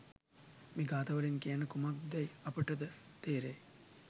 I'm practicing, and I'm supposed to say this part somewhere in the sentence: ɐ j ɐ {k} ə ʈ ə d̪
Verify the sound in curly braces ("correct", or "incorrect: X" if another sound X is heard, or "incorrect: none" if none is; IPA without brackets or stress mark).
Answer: incorrect: p